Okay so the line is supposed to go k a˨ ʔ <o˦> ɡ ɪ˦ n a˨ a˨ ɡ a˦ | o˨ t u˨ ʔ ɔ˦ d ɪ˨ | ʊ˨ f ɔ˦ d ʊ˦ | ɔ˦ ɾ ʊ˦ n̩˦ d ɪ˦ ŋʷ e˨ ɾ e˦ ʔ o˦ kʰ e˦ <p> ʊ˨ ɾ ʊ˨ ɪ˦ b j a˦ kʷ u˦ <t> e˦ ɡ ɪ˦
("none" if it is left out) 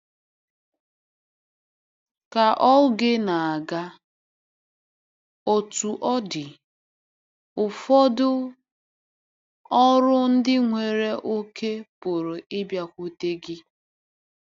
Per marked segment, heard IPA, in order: ɔ˦, p, t

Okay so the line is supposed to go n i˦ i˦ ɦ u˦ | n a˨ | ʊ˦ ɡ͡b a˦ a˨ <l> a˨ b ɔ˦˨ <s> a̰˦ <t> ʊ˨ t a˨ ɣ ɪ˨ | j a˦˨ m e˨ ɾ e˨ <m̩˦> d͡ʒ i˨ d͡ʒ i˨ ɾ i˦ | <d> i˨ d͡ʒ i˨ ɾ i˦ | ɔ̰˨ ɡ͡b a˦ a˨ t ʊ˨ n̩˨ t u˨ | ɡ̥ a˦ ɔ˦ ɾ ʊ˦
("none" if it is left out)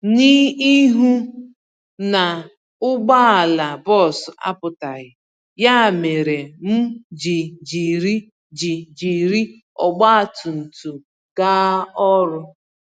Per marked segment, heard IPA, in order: l, s, p, m̩˦, d͡ʒ

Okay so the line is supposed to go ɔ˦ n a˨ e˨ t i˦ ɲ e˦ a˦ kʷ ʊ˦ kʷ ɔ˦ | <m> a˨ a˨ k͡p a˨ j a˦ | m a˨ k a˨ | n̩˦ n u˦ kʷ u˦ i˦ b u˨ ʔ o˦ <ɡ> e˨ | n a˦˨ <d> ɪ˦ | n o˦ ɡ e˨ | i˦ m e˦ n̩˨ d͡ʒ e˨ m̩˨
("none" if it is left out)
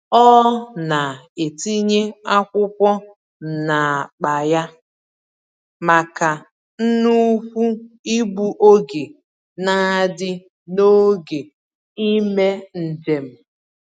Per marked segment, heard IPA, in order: n, ɡ, d

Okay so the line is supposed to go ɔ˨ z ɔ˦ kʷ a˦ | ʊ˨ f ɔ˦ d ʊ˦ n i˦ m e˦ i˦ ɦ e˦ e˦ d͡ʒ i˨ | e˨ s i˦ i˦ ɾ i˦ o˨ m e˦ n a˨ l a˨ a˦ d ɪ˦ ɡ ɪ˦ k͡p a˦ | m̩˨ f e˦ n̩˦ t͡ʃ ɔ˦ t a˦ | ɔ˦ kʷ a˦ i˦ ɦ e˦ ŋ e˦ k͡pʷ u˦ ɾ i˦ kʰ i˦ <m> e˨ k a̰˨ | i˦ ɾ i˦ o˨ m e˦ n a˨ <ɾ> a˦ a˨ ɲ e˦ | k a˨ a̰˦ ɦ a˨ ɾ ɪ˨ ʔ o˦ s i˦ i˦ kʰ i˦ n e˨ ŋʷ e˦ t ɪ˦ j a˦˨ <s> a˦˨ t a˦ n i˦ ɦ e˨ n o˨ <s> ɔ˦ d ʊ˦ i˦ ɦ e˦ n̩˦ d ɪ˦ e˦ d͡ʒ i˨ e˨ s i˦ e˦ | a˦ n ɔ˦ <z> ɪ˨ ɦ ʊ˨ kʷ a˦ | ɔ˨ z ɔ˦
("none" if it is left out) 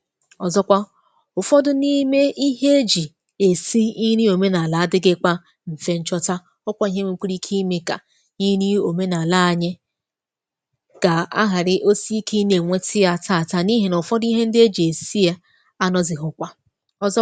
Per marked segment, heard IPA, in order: m, l, t, f, z

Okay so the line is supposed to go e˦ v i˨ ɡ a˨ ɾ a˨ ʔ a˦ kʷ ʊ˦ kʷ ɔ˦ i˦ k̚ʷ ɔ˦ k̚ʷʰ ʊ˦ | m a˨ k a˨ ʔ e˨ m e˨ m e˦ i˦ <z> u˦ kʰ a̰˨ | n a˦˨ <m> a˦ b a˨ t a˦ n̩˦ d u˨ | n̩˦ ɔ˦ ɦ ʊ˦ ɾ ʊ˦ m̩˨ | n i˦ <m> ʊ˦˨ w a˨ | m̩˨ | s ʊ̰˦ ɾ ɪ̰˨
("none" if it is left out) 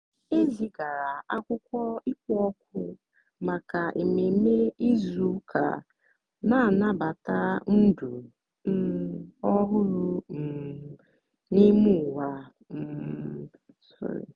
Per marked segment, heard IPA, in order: z, n, m

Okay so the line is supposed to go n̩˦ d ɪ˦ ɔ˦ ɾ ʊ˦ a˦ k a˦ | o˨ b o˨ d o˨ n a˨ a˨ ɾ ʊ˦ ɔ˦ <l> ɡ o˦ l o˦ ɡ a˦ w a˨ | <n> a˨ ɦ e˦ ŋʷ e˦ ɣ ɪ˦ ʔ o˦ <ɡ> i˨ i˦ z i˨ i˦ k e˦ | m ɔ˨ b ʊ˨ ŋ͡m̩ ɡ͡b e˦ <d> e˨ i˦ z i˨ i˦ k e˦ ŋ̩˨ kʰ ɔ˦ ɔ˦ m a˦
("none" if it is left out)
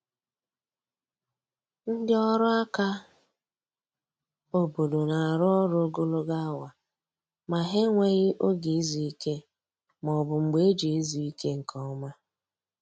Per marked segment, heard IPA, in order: ɾ, m, ɡ, d͡ʒ

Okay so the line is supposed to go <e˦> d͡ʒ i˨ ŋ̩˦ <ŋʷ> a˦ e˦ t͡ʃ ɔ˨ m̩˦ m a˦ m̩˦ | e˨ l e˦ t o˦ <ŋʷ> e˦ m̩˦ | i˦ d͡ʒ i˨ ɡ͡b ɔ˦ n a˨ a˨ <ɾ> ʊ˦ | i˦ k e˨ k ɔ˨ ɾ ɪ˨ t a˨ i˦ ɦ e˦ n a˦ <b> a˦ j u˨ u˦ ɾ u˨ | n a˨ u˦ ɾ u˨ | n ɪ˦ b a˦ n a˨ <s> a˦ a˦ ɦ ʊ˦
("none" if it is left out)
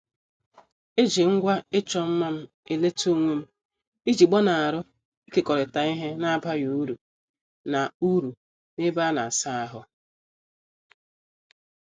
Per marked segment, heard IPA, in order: e˦, ɡʷ, ŋʷ, ɾ, b, s

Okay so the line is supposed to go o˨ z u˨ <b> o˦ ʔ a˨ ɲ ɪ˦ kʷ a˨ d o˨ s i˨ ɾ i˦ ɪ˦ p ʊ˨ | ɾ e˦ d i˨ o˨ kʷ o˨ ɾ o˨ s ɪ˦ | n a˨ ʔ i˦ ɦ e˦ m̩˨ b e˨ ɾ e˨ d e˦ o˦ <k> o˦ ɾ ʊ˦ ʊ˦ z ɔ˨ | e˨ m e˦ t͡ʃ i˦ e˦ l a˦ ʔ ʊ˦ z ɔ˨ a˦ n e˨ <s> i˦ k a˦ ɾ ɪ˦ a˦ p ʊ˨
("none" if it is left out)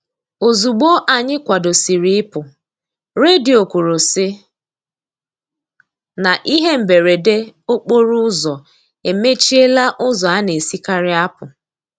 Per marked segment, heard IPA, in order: ɡ͡b, k͡p, s

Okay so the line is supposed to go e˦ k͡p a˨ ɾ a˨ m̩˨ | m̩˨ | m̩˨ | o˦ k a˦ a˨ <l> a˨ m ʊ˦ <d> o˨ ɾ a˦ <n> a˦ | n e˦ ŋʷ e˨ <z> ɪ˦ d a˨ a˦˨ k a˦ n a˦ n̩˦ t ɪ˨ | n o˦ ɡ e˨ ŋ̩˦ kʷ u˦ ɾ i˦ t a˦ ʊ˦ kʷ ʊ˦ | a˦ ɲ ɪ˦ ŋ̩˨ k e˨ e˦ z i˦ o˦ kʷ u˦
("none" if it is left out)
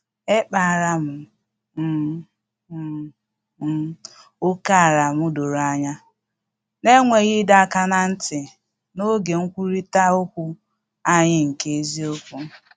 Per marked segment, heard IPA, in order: ɾ, d, ɲ, ɣ

